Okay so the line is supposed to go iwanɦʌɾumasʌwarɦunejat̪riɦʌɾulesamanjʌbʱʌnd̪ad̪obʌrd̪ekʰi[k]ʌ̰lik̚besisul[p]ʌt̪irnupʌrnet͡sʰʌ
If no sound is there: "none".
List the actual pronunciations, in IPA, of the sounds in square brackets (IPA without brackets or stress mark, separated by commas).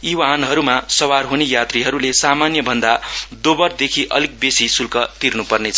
ʔ, k